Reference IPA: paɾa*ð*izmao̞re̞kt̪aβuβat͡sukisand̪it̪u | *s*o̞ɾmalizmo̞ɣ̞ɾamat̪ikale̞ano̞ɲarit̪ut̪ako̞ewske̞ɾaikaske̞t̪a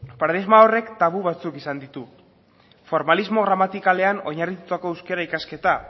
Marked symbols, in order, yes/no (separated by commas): yes, no